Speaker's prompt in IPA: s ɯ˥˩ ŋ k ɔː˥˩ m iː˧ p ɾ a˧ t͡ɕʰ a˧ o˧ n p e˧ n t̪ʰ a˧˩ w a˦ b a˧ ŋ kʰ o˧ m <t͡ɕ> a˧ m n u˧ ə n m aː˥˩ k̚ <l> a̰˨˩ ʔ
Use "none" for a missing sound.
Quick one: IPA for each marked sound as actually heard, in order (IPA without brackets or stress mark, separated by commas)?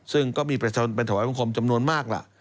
t͡ɕ, l